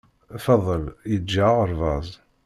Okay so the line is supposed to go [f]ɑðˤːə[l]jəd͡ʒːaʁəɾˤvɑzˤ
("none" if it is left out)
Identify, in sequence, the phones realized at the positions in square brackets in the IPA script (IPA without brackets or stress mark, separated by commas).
f, l